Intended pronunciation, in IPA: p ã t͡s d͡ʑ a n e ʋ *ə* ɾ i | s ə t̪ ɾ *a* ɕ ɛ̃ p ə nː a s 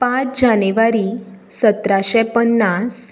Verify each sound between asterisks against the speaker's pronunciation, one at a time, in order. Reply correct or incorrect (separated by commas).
incorrect, correct